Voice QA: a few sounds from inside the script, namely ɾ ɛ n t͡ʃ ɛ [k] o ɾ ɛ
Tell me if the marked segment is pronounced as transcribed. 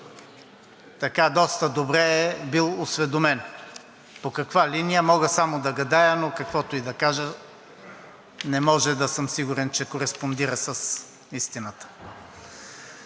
yes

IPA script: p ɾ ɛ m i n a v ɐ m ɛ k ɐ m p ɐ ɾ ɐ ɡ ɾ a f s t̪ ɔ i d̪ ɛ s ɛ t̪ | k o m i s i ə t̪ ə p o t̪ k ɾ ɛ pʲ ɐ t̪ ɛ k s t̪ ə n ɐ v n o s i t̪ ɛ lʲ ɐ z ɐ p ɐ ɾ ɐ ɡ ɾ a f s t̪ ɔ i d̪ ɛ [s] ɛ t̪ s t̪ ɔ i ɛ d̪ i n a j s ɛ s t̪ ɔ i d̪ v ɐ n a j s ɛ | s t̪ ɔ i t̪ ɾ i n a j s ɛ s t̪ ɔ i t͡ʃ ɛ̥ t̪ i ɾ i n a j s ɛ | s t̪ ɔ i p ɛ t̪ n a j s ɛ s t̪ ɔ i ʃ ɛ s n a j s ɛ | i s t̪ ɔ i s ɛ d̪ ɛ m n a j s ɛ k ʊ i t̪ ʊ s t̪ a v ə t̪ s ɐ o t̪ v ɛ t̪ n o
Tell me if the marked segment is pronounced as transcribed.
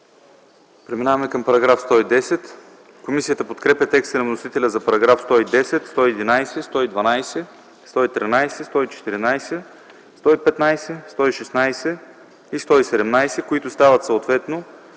yes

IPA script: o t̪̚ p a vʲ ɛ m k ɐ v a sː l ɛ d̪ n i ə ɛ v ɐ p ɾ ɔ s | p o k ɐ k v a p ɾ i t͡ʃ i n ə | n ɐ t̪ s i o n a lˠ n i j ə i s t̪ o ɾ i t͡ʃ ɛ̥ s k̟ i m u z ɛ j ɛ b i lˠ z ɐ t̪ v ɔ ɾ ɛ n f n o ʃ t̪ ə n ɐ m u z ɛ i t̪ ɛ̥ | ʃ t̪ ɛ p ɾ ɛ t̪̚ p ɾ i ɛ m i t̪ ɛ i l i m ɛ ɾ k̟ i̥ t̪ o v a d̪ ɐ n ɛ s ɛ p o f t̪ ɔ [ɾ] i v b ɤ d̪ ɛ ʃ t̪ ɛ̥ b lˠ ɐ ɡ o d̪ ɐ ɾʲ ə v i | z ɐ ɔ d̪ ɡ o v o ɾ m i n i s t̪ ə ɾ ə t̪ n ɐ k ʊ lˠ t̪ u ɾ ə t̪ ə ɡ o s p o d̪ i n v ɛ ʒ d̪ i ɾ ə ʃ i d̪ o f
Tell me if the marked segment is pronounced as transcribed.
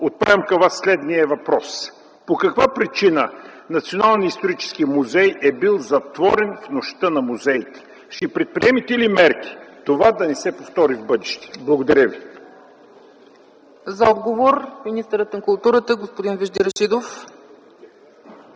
yes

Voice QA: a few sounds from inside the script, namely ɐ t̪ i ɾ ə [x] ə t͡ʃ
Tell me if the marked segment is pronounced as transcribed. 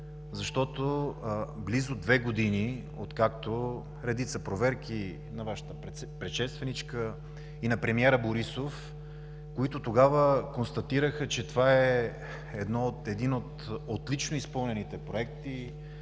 yes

